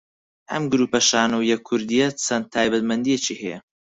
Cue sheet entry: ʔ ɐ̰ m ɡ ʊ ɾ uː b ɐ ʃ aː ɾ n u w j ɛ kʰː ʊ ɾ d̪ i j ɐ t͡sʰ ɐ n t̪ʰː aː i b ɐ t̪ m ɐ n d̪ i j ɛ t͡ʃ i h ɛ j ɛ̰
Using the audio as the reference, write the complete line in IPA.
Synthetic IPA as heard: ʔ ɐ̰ m ɡ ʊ ɾ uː p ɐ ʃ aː n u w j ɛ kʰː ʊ ɾ d̪ i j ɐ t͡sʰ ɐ n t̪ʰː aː j b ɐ t̪ m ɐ n d̪ i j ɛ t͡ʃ i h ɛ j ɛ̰